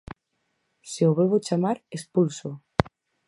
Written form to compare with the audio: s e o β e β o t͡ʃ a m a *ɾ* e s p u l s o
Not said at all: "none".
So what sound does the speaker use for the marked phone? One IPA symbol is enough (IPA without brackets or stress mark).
ɾ